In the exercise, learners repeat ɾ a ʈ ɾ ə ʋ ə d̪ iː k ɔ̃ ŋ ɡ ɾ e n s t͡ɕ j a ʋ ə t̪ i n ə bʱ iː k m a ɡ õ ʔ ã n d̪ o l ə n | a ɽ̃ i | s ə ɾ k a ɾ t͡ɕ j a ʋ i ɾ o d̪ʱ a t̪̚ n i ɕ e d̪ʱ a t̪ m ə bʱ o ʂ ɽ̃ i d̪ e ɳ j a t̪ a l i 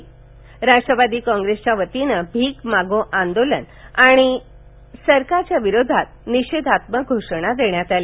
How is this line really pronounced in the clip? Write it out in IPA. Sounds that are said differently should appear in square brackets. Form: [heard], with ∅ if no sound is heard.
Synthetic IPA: ɾ a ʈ ɾ ə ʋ [a] d̪ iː k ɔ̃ ŋ ɡ ɾ e [∅] s t͡ɕ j a ʋ ə t̪ i n ə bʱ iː k m a ɡ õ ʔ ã n d̪ o l ə n | a ɽ̃ i | s ə ɾ k a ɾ t͡ɕ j a ʋ i ɾ o d̪ʱ a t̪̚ n i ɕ e d̪ʱ a t̪ m ə [ɡʱ] o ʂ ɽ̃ [a] d̪ e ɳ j a t̪ a l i